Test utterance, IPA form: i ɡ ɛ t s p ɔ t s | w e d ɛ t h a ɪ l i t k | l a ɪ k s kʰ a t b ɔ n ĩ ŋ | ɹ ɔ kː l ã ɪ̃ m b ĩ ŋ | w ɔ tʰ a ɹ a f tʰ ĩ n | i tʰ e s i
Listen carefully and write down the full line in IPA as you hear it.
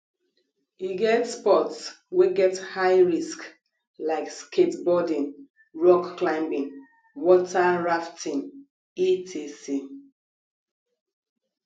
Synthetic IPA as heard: i ɡ ɛ t s p ɔ t s | w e ɡ ɛ t h a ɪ ɹ i s k | l a ɪ k s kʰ e t b ɔ d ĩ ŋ | ɹ ɔ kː l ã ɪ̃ m b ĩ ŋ | w ɔ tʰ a ɹ a f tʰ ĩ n | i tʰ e s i